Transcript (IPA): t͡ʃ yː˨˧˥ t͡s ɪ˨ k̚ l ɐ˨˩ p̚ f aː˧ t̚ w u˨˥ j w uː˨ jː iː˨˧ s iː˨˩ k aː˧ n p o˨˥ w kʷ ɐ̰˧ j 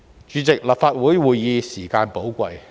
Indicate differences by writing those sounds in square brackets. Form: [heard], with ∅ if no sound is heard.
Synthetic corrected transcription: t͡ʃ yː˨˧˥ t͡s ɪ˨ k̚ l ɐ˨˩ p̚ f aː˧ t̚ w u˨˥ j w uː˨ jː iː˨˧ s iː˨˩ k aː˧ n p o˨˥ w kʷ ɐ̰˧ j